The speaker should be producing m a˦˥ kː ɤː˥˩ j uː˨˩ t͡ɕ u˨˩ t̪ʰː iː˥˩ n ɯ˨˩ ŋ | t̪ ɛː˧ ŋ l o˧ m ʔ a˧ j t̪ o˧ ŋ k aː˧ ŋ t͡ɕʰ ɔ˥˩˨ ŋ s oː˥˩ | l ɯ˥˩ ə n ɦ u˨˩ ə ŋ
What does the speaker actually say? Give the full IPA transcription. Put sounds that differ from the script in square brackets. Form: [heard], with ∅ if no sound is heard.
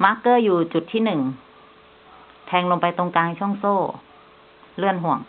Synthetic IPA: m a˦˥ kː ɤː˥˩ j uː˨˩ t͡ɕ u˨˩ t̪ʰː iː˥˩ n ɯ˨˩ ŋ | [t̪ʰ] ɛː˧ ŋ l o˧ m [p] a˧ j t̪ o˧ ŋ k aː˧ ŋ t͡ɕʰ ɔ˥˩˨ ŋ s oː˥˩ | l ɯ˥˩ ə n ɦ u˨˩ ə ŋ

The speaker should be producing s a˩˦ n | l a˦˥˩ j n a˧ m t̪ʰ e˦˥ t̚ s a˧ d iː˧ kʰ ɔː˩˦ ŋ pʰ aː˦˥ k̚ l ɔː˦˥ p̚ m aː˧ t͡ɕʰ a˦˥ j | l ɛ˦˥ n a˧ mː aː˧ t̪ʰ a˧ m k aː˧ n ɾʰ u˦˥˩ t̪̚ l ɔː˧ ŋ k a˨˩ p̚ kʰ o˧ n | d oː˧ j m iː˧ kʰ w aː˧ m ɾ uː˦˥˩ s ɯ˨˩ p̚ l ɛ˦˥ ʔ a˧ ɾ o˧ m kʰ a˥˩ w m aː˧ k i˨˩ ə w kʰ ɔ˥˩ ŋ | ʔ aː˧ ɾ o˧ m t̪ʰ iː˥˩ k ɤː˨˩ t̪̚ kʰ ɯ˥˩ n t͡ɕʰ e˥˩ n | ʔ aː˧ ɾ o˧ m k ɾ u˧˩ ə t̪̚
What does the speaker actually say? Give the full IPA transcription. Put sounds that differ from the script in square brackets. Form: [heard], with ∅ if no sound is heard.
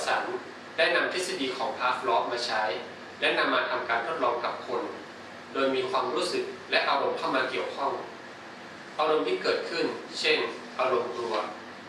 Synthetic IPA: s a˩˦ n | l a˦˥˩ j n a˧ m t̪ʰ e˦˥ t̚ s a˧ d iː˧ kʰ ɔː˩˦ ŋ pʰ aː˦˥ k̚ l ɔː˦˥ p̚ m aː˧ t͡ɕʰ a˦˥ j | l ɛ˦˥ n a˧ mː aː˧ t̪ʰ a˧ m k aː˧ n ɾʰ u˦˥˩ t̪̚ l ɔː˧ ŋ k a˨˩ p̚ kʰ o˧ n | d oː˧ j m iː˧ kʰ w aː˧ m ɾ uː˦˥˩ s ɯ˨˩ [k̚] l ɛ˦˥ ʔ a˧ ɾ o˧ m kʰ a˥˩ w m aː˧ k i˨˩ ə w kʰ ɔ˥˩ ŋ | ʔ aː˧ ɾ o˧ m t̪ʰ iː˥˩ k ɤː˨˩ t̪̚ kʰ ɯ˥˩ n t͡ɕʰ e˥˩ n | ʔ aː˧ ɾ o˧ m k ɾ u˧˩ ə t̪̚

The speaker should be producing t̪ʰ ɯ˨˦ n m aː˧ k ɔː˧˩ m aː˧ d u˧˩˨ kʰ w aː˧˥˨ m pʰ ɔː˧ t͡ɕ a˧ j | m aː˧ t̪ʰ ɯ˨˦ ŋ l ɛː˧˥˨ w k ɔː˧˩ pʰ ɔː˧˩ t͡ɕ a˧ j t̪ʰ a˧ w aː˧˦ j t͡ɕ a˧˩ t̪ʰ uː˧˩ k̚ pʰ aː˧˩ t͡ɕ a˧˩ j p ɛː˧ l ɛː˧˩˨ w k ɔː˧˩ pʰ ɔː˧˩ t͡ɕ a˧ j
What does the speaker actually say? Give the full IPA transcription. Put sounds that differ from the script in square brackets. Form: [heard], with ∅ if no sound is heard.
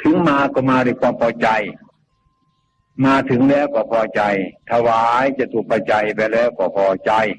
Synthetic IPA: t̪ʰ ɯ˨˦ [ŋ] m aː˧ k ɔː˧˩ m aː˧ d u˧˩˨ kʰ w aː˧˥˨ m pʰ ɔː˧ t͡ɕ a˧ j | m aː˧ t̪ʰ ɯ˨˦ ŋ l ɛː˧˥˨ w k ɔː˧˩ pʰ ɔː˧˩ t͡ɕ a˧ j t̪ʰ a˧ w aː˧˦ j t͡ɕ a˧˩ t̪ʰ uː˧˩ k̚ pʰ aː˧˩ t͡ɕ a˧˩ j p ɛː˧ l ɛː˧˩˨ w k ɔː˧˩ pʰ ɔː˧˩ t͡ɕ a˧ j

